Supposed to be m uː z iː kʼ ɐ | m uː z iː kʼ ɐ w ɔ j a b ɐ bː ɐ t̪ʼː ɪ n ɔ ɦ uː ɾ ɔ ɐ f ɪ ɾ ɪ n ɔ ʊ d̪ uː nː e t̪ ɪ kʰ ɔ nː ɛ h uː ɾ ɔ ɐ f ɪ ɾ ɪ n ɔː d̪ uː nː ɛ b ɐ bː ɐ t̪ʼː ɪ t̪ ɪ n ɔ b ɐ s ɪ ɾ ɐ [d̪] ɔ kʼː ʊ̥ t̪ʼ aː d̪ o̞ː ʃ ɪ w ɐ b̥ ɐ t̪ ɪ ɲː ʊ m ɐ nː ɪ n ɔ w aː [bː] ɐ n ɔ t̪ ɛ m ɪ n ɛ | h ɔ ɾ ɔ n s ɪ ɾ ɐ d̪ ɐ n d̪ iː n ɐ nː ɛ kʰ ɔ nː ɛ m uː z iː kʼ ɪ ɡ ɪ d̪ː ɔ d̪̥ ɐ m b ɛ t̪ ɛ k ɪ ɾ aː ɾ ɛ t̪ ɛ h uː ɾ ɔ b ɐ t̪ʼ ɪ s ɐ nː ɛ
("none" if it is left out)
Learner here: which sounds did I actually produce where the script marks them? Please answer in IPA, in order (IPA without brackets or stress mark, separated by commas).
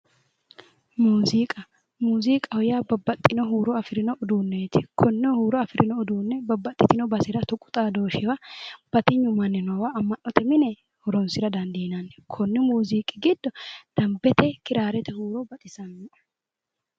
t̪, mː